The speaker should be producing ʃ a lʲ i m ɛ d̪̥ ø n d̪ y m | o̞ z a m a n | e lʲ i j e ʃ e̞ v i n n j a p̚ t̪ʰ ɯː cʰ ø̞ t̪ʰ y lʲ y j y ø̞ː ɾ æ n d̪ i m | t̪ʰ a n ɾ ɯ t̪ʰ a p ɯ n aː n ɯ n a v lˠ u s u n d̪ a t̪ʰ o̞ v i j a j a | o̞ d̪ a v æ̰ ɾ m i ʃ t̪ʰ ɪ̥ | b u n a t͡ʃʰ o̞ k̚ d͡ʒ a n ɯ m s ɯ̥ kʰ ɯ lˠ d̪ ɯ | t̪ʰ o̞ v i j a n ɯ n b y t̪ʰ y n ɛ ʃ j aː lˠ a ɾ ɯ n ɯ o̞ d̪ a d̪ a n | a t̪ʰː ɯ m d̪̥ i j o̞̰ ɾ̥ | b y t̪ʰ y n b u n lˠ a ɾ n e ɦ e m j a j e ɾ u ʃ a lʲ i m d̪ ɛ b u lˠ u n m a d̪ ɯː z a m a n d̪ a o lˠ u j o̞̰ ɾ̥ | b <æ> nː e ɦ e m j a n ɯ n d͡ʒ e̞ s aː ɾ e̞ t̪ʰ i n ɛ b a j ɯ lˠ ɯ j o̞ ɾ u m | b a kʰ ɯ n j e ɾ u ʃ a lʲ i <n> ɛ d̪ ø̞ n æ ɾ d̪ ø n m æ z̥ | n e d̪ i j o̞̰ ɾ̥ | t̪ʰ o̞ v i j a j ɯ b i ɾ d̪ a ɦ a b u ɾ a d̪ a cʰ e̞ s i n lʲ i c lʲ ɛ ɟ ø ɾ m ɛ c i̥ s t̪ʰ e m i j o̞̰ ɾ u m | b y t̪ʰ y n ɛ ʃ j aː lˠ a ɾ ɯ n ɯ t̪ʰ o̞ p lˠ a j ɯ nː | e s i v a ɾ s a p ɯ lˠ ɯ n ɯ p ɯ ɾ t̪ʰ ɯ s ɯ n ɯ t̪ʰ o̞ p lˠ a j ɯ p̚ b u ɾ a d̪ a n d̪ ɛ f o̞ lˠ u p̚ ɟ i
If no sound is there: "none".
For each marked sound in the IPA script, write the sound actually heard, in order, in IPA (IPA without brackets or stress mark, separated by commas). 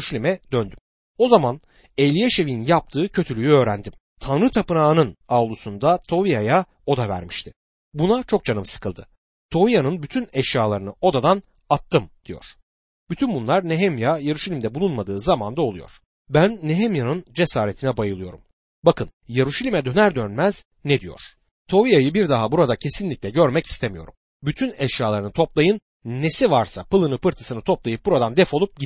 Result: æ, m